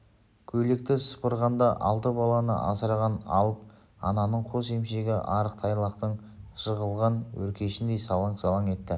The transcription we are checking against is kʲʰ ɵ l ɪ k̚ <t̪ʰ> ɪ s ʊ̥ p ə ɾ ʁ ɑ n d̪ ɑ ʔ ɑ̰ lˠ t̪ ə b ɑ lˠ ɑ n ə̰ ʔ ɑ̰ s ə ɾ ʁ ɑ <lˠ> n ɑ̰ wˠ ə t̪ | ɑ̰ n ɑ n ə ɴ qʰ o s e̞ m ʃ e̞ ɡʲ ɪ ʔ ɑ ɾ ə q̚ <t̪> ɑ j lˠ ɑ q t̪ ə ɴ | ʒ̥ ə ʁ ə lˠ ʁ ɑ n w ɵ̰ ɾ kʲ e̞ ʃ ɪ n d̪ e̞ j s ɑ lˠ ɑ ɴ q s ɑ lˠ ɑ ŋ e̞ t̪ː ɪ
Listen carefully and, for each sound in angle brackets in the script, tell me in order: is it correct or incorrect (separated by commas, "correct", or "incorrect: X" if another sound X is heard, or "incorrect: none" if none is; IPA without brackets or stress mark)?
incorrect: t̪, incorrect: none, incorrect: t̪ʰ